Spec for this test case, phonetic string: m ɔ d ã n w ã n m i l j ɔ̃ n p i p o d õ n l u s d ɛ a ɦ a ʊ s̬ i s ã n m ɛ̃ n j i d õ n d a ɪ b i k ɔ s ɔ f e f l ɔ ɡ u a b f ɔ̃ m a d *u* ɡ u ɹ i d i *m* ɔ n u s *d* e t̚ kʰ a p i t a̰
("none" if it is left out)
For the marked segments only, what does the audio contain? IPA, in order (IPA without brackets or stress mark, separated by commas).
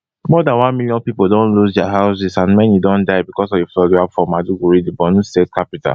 u, b, t